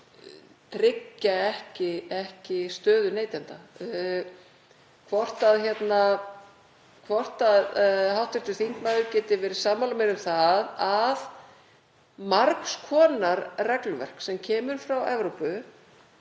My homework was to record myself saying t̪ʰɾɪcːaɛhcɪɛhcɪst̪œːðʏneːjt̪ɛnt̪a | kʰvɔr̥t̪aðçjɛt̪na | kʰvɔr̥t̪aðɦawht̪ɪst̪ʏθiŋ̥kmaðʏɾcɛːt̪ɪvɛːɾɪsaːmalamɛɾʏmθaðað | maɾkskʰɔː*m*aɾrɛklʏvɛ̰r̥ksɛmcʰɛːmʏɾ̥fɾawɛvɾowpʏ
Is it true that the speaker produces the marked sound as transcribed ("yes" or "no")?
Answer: no